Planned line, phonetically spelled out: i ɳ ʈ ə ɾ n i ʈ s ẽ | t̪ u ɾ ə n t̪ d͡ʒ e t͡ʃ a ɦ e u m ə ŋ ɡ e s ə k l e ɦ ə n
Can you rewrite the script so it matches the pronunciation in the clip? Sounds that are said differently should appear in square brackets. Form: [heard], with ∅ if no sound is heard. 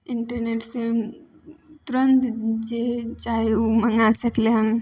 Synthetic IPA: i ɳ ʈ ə ɾ n [e] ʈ s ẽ | t̪ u ɾ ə n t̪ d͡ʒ e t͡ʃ a ɦ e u m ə ŋ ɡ [a] s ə k l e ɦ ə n

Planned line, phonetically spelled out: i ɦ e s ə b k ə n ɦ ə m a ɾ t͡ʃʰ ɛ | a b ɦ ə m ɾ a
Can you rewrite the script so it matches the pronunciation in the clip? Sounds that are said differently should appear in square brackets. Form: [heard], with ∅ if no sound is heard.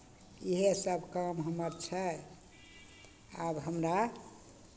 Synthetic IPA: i ɦ e s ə b k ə [m] ɦ ə m [ə] ɾ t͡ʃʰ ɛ | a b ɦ ə m ɾ a

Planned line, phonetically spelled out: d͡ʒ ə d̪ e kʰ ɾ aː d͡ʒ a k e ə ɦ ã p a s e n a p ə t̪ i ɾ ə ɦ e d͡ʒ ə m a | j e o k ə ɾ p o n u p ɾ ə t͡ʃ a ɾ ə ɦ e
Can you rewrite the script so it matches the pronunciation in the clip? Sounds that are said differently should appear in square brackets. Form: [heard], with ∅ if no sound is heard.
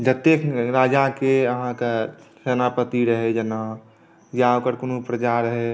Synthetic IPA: d͡ʒ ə [t̪] e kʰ ɾ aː d͡ʒ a k e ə ɦ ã [k] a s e n a p ə t̪ i ɾ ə ɦ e d͡ʒ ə [n] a | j [a] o k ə ɾ [k] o n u p ɾ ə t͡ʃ a ɾ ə ɦ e

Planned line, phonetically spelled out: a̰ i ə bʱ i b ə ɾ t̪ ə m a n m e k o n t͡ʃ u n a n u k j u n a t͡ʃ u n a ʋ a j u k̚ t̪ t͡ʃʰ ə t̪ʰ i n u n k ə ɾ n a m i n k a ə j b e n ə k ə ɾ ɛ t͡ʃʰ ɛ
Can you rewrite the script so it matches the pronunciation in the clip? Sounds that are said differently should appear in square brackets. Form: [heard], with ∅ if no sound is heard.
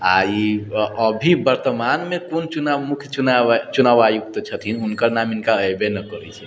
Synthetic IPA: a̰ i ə bʱ i b ə ɾ t̪ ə m a n m e k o n t͡ʃ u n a [m] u [kʰ] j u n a t͡ʃ u n a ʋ a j u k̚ t̪ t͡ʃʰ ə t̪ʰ i n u n k ə ɾ n a m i n k a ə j b e n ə k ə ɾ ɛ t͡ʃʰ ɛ

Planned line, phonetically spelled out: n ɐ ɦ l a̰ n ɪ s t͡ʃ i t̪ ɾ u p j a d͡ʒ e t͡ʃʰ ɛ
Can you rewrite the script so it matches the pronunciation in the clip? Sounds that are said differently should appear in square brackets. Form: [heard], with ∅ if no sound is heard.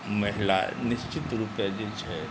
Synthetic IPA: [m] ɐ ɦ l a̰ n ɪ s t͡ʃ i t̪ ɾ u p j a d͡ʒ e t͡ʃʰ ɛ

